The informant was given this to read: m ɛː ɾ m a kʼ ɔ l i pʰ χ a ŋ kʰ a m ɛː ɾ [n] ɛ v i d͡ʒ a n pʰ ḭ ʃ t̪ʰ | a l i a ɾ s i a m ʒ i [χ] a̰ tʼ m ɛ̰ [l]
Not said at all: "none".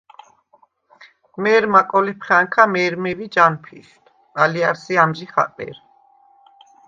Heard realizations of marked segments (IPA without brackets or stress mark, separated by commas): m, χ, ɾ